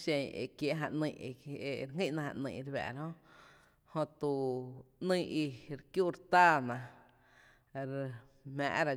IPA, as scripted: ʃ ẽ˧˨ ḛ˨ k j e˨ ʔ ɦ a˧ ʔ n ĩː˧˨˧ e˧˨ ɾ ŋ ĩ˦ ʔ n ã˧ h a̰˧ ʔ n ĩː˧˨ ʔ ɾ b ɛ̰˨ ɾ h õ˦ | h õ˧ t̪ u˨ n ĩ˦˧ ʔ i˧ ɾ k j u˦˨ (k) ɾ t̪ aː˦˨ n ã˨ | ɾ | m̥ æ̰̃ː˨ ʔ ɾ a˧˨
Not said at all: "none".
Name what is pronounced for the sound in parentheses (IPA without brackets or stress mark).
none